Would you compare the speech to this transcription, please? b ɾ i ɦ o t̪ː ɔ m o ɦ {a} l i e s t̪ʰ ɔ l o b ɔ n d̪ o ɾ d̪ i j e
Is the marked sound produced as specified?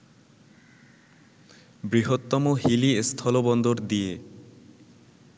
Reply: no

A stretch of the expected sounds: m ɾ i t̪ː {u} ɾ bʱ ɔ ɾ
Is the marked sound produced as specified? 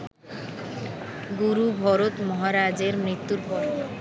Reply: yes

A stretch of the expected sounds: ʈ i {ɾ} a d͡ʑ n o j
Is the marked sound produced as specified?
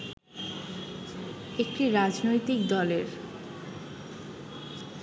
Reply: yes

